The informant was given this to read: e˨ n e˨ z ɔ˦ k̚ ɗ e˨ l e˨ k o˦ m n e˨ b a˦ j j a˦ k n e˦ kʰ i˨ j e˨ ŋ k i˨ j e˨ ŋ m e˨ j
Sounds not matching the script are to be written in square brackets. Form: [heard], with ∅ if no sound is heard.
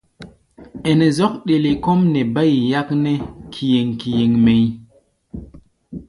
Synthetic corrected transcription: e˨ n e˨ z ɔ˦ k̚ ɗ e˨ l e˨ k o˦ m n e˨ b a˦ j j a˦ k n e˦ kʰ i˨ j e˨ ŋ k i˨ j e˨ ŋ m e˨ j